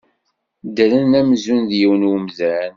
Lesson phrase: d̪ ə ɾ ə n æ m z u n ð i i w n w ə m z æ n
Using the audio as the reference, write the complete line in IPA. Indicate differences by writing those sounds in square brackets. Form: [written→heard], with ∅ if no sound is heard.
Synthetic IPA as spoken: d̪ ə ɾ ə n æ m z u n ð [i→j] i w n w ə m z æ n